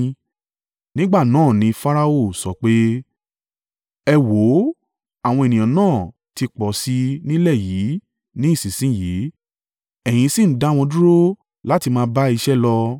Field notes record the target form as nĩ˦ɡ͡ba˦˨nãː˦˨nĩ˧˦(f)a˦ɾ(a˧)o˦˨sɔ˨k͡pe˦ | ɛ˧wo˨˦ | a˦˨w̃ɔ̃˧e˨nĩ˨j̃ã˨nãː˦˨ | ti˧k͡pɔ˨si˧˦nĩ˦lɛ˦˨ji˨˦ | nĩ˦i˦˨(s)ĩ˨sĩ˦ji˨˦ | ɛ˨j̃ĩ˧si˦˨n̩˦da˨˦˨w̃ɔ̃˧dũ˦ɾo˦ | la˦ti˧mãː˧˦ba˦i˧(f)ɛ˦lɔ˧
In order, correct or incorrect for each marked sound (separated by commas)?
correct, correct, correct, incorrect